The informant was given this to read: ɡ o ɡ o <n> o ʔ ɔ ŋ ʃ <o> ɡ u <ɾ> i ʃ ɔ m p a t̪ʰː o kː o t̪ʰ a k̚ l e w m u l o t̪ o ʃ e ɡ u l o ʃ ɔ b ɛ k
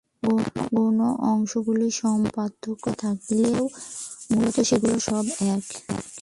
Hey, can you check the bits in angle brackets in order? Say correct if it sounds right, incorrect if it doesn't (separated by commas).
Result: correct, correct, incorrect